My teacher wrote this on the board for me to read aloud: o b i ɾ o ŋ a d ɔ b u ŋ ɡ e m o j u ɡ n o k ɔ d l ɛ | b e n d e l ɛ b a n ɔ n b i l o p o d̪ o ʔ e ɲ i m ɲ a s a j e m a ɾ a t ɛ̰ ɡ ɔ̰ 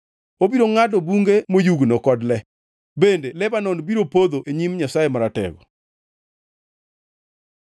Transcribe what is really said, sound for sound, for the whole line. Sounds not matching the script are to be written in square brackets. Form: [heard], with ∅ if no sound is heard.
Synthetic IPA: o b i ɾ o ŋ a d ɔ b u ŋ ɡ e m o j u ɡ n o k ɔ d l ɛ | b e n d e l ɛ b a n ɔ n b i [ɾ] o p o d̪ o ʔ e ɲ i m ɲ a s a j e m a ɾ a t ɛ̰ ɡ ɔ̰